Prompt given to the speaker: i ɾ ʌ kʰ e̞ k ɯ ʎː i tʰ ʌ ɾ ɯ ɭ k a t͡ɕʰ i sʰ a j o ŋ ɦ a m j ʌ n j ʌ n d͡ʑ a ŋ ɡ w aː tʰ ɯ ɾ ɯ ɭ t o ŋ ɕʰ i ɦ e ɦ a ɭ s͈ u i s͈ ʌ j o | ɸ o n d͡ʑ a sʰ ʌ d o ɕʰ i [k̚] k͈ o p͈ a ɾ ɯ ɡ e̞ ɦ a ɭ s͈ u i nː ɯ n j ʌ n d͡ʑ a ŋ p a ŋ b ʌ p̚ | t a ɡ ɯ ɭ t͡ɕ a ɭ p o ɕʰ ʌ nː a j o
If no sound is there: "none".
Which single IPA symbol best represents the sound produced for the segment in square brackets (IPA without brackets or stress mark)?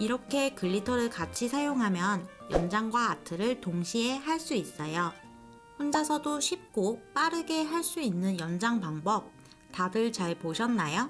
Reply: p̚